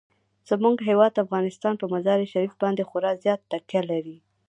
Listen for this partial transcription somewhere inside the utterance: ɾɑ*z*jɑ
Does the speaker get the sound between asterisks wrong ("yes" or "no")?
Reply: no